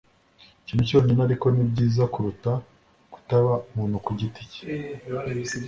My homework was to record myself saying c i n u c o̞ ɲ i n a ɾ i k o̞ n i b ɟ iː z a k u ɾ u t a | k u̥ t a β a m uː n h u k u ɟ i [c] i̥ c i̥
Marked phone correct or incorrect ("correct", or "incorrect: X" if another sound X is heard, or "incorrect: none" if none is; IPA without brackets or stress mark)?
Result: incorrect: t